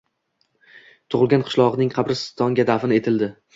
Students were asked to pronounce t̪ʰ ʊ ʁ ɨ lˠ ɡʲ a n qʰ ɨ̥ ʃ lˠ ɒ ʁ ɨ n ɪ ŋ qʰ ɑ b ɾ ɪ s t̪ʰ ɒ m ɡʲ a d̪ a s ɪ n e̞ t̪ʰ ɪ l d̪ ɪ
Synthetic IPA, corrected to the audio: t̪ʰ ʊ ʁ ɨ lˠ ɡʲ a n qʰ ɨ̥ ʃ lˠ ɒ ʁ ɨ n ɪ ŋ qʰ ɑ b ɾ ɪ s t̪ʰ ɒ ŋ ɡʲ a d̪ a f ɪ n e̞ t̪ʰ ɪ l d̪ ɪ